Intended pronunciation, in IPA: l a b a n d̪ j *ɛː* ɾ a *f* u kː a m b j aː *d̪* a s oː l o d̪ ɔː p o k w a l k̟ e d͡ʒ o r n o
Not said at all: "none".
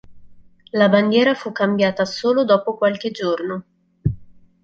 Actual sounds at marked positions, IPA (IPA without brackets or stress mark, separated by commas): ɛː, f, t̪